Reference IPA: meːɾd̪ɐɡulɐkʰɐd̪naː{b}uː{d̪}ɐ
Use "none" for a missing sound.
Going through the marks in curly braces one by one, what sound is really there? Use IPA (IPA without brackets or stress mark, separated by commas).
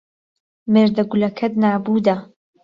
b, d̪